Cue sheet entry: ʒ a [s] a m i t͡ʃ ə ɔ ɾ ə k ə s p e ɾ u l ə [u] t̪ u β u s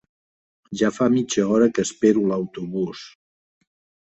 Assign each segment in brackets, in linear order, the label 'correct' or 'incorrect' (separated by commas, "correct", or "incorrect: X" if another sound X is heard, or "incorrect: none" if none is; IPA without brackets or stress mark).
incorrect: f, incorrect: w